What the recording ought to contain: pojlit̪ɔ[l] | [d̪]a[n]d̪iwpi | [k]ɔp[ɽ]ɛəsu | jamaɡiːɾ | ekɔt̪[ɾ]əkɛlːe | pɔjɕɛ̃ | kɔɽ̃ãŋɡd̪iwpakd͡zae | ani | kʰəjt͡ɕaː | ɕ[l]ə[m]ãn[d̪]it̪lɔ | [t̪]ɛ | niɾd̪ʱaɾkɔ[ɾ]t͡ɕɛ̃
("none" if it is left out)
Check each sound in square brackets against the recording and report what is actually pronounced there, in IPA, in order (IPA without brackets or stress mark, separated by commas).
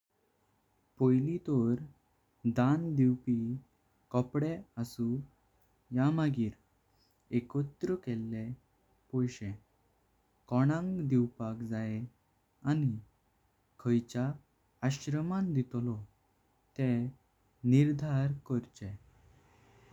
ɾ, d̪, n, k, ɽ, ɾ, ɾ, m, d̪, t̪, ɾ